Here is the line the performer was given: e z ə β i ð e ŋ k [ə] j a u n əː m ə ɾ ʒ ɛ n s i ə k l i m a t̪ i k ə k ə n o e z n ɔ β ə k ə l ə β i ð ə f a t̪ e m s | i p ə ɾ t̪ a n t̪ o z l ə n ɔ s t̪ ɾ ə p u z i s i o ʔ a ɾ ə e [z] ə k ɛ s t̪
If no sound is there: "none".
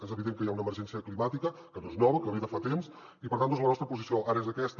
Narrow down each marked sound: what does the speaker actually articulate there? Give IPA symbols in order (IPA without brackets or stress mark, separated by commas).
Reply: ə, z